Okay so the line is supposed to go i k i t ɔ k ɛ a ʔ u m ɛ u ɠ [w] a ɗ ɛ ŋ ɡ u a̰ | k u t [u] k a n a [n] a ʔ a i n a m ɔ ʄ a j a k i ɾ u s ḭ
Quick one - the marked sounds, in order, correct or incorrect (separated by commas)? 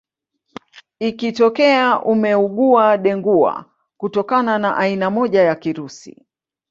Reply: incorrect, incorrect, correct